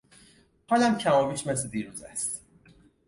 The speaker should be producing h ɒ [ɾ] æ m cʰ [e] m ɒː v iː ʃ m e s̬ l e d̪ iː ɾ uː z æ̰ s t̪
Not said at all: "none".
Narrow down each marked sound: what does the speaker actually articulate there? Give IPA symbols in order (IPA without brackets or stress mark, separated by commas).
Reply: l, æ